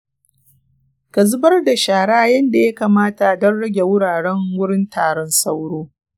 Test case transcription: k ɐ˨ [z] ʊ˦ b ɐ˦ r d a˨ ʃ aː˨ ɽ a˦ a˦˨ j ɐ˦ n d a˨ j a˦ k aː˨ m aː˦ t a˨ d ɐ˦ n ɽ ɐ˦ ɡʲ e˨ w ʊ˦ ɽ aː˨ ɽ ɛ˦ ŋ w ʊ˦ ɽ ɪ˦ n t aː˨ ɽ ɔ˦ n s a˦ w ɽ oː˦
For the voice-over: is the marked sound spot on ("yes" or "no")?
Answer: yes